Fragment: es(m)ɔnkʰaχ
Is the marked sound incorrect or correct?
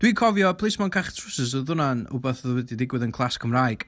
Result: correct